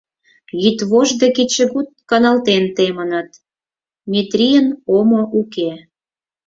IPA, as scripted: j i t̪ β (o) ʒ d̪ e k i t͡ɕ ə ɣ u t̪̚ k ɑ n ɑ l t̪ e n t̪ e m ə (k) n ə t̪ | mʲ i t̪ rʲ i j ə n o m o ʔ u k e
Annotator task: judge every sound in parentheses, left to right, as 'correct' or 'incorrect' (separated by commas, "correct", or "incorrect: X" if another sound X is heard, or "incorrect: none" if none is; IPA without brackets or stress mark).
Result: correct, incorrect: none